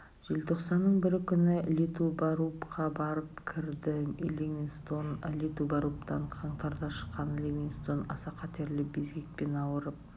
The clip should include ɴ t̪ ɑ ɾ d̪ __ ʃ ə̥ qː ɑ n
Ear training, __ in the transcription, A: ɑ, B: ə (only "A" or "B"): A